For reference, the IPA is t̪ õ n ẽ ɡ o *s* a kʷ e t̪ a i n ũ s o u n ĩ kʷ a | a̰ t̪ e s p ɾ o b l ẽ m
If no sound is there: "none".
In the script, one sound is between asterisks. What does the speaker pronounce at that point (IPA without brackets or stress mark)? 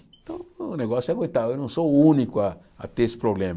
s